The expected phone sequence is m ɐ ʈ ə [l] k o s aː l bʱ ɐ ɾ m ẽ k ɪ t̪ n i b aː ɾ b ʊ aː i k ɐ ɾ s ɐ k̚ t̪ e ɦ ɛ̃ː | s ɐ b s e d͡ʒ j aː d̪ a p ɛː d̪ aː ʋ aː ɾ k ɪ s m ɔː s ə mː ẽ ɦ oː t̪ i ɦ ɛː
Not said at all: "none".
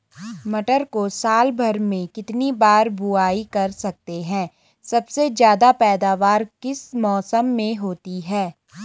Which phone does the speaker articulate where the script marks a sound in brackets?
ɾ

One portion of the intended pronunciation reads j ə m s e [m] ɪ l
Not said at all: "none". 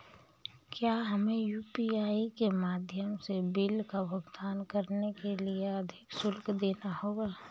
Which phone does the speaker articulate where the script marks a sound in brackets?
b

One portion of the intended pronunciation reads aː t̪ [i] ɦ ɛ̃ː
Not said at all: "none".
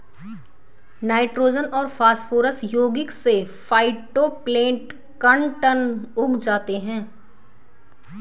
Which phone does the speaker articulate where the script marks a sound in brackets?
e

